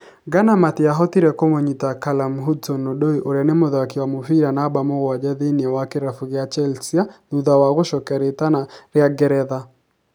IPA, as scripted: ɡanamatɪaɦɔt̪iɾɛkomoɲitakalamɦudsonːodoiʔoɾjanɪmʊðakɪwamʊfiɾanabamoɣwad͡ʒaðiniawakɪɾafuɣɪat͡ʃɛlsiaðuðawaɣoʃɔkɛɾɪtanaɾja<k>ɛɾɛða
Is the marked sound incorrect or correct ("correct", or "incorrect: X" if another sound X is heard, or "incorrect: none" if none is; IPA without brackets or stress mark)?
incorrect: ɡ